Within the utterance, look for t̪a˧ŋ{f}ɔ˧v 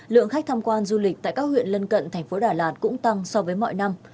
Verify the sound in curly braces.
incorrect: s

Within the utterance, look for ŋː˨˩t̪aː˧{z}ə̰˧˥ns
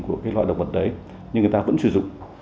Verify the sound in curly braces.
incorrect: v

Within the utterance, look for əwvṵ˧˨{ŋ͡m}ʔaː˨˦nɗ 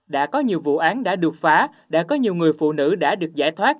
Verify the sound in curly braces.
incorrect: none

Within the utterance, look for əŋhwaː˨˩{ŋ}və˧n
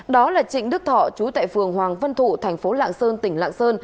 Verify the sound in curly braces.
correct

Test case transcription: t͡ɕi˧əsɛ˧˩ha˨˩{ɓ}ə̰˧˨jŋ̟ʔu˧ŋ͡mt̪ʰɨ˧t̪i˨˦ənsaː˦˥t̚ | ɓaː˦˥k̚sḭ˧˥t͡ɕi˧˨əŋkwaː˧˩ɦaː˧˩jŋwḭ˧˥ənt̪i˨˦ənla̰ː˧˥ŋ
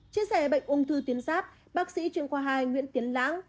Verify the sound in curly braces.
correct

